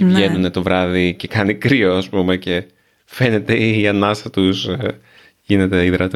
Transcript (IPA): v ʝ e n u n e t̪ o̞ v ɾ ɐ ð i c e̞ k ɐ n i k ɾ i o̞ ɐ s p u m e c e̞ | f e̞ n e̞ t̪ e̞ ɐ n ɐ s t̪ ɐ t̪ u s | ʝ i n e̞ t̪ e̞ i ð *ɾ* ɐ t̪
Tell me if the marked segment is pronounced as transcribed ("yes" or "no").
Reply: yes